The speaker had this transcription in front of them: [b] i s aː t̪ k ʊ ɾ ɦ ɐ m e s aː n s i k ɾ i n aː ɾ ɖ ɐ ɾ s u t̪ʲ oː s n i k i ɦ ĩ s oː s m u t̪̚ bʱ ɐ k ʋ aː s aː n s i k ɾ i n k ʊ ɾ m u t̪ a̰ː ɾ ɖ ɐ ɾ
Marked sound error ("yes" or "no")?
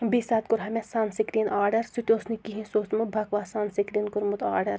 no